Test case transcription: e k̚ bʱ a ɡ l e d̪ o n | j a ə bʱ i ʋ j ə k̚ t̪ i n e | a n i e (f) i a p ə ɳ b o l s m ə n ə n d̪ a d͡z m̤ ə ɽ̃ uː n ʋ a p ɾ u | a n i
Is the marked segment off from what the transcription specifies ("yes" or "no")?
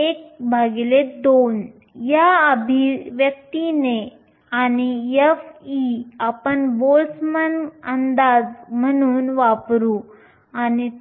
no